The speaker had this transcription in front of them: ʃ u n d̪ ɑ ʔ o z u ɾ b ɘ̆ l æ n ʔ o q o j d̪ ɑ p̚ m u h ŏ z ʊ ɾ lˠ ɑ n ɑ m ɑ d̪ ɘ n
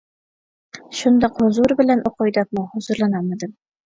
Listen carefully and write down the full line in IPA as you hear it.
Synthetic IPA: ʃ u n d̪ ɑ q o z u ɾ b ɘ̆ l æ n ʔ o q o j d̪ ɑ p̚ m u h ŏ z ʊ ɾ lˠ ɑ n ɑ m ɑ d̪ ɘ m